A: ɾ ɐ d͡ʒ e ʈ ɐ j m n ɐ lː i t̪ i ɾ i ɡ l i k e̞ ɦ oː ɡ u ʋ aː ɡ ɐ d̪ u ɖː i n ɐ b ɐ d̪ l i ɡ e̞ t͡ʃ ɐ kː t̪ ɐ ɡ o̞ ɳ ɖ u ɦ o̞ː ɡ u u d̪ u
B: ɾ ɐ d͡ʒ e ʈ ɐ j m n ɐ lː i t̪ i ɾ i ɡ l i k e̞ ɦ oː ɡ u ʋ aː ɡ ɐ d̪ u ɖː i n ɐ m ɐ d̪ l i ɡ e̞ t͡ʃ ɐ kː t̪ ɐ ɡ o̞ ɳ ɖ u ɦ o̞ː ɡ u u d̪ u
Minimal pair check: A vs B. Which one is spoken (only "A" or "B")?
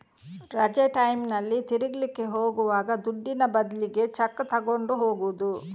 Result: A